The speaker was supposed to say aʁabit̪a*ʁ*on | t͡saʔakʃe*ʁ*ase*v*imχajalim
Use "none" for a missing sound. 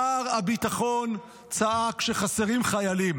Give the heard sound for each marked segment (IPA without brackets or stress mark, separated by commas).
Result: χ, χ, ʁ